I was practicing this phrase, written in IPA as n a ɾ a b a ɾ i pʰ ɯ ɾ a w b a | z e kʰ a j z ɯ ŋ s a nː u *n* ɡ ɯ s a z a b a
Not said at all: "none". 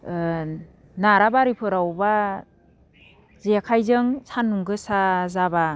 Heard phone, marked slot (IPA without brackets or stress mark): ŋ